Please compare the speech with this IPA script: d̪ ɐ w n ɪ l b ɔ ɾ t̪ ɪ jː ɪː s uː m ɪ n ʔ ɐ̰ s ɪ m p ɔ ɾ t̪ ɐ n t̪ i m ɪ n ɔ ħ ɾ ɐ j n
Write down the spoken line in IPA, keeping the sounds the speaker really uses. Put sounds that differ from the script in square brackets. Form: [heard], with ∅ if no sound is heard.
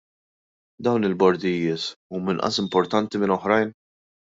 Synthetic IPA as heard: d̪ ɐ w n ɪ l b ɔ ɾ [d̪] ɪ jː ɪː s uː m ɪ n ʔ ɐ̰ s ɪ m p ɔ ɾ t̪ ɐ n t̪ i m ɪ n ɔ ħ ɾ ɐ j n